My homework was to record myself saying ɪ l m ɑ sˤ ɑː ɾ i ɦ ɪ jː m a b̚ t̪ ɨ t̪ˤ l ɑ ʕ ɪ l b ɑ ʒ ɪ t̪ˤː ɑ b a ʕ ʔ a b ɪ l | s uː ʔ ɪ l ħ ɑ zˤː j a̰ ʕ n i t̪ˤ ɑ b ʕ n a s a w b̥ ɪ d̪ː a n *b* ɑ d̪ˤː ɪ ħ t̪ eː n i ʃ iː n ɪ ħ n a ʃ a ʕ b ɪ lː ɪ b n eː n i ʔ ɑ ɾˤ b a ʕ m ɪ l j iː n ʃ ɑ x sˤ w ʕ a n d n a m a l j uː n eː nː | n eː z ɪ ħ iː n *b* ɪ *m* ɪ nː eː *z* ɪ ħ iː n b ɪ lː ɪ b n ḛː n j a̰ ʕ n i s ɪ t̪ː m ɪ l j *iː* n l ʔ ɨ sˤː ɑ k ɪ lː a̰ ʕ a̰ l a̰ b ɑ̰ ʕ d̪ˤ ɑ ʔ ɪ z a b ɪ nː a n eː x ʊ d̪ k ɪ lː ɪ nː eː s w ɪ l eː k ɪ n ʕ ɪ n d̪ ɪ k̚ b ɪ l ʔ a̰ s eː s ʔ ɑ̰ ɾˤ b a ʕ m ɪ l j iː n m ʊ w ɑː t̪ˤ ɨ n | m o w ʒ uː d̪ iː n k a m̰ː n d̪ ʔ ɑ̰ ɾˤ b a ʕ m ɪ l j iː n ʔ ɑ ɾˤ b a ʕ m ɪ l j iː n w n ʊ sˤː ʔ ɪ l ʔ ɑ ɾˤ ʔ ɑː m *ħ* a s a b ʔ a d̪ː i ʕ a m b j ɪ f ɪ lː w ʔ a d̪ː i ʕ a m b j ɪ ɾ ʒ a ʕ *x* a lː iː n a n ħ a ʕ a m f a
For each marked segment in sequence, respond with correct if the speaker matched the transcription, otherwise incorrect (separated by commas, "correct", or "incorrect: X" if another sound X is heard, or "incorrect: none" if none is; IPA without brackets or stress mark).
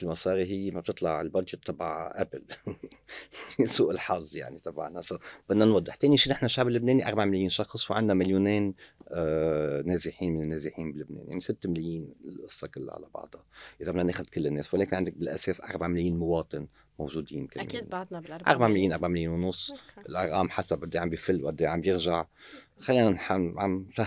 incorrect: w, incorrect: m, incorrect: n, correct, correct, correct, correct